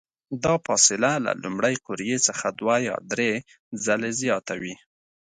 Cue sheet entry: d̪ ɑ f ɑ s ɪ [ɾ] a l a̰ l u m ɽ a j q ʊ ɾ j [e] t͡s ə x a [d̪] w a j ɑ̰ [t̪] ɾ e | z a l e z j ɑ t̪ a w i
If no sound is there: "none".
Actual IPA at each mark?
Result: l, e, d̪, d̪

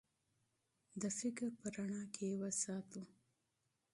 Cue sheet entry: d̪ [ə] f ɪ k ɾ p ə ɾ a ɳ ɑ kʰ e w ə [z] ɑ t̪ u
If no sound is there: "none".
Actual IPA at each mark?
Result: ə, s

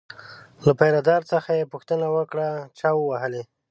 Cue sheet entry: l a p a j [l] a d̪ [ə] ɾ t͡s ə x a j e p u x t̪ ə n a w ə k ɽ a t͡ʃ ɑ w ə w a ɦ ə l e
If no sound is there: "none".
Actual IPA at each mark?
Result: ɾ, ɑ

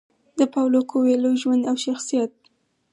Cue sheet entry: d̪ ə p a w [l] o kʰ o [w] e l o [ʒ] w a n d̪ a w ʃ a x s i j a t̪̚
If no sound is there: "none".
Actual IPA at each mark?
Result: l, w, ʒ

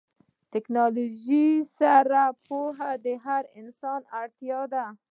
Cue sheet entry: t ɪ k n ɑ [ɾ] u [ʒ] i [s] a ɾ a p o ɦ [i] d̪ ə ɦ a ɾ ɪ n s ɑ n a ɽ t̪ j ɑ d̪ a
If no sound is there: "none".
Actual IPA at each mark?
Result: l, ʒ, s, a

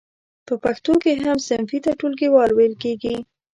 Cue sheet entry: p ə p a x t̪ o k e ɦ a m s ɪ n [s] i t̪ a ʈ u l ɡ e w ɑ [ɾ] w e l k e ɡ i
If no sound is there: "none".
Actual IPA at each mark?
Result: f, l

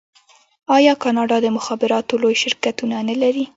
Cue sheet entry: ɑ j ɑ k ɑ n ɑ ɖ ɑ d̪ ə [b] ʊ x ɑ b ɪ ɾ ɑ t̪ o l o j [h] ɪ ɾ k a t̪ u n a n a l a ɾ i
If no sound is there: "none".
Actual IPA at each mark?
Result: m, ʃ

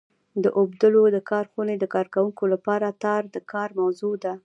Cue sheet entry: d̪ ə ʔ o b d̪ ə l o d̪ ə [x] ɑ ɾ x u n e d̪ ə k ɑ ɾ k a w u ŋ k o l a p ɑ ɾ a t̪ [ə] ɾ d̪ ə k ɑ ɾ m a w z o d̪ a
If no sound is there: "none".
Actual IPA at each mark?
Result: k, ɑ

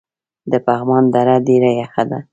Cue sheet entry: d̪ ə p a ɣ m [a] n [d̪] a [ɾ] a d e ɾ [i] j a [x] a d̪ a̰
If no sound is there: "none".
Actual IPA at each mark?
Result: ɑ, d̪, ɾ, a, x

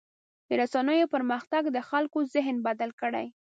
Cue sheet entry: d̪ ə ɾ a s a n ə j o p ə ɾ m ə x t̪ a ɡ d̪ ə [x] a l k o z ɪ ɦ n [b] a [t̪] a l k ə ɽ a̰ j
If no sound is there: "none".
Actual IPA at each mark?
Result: x, b, d̪

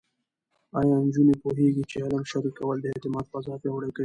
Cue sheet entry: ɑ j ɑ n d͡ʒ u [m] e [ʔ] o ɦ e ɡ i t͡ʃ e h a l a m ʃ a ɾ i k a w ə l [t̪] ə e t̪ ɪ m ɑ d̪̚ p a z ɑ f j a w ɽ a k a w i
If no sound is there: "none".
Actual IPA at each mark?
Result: n, p, d̪

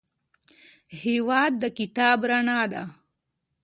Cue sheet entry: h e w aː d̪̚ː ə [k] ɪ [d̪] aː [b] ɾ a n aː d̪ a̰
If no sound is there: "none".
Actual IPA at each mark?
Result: k, t̪, b

